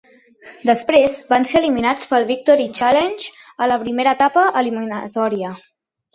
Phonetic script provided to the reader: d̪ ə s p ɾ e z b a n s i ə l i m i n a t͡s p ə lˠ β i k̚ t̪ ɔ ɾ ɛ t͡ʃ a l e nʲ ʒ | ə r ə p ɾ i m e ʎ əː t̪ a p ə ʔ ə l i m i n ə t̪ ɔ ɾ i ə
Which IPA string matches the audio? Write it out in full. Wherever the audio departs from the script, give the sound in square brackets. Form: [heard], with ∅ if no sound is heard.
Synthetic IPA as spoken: d̪ ə s p ɾ e z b a n s [e] ə l i m i n a t͡s p ə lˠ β i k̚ t̪ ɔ ɾ [i] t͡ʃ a l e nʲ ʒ | ə [l] ə p ɾ i m e [ɾ] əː t̪ a p ə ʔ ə l i m i n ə t̪ ɔ ɾ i ə